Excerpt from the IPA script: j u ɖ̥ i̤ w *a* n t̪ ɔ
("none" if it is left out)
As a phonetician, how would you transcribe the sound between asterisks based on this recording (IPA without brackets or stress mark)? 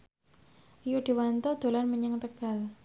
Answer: a